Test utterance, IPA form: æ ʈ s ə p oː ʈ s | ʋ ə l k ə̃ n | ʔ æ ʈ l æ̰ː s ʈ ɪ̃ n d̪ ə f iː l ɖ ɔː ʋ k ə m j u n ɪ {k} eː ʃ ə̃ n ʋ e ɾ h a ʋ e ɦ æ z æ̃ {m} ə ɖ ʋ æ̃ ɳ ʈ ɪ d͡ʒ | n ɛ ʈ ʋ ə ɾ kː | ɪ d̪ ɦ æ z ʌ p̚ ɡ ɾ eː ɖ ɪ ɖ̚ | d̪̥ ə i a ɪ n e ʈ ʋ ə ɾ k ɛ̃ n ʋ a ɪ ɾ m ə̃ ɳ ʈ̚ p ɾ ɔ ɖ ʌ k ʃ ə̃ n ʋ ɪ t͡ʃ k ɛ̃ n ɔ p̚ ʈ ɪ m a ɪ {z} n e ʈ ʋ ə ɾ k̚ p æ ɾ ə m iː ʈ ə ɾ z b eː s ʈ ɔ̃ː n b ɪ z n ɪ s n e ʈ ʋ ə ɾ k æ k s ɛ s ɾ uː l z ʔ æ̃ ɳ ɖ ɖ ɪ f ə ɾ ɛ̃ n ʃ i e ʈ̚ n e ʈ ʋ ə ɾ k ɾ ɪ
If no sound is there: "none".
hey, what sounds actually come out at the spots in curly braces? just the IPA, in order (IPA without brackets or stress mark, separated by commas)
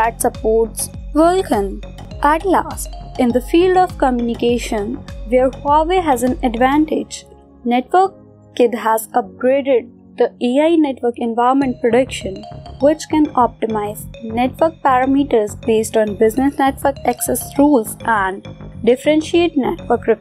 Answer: k, n, z